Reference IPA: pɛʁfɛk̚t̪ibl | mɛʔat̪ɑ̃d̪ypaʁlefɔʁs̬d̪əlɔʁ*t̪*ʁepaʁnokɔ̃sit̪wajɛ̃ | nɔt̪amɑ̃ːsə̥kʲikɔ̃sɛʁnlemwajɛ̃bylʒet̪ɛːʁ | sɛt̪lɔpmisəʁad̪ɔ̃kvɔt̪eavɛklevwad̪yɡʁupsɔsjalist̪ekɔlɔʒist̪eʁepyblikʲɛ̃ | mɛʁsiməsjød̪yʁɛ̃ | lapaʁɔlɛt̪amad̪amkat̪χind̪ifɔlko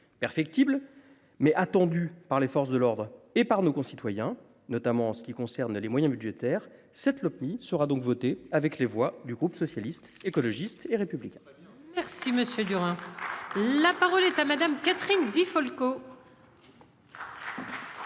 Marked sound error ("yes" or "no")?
yes